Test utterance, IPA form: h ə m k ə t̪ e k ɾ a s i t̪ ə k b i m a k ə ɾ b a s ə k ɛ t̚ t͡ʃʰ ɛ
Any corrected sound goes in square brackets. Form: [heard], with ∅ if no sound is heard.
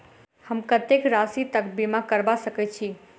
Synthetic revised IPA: h ə m k ə t̪ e k ɾ a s i t̪ ə k b i m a k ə ɾ b a s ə k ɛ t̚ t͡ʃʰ [i]